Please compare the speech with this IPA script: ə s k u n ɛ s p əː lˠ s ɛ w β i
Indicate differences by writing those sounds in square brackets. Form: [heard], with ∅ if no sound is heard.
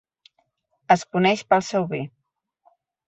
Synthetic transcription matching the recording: ə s k u n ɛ [ʃ] p [ə] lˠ s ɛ w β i